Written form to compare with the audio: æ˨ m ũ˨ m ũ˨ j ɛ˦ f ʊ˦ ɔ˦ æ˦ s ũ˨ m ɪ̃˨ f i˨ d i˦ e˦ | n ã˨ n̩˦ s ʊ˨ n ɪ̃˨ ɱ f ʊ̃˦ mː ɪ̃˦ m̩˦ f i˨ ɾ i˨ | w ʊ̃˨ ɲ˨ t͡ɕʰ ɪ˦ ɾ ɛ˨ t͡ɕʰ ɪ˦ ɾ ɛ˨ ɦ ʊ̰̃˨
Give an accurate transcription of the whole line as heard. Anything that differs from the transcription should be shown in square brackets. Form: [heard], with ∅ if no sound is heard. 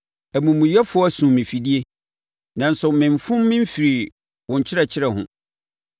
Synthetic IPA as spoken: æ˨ m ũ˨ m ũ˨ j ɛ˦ f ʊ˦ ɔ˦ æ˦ s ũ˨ m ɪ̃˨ f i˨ d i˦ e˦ | n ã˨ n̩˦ s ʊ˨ [m] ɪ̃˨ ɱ f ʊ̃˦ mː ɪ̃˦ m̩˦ f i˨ ɾ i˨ | w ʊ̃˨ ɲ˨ t͡ɕʰ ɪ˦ ɾ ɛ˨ t͡ɕʰ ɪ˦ ɾ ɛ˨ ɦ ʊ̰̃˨